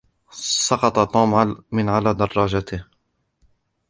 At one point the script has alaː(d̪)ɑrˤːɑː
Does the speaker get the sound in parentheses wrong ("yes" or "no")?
no